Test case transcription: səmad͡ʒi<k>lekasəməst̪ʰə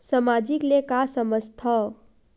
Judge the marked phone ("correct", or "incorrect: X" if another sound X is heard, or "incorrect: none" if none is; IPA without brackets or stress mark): correct